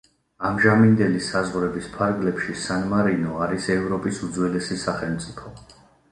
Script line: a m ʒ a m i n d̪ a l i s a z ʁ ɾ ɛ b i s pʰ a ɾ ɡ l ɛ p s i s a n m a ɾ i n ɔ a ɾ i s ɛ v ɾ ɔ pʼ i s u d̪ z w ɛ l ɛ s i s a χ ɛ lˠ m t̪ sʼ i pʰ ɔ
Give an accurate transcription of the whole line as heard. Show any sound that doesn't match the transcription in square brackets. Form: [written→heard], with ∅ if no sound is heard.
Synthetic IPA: a m ʒ a m i n d̪ [a→ɛ] l i s a z ʁ ɾ ɛ b i s pʰ a ɾ ɡ l ɛ p [s→ʃ] i s a n m a ɾ i n ɔ a ɾ i s ɛ v ɾ ɔ pʼ i s u d̪ z w ɛ l ɛ s i s a χ ɛ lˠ m t̪ sʼ i pʰ ɔ